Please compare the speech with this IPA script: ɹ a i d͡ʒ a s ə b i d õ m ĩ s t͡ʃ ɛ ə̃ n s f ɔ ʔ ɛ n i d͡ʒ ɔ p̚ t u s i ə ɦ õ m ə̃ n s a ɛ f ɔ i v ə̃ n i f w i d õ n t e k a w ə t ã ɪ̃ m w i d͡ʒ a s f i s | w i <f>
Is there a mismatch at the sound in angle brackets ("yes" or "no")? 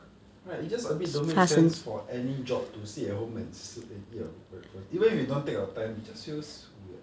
yes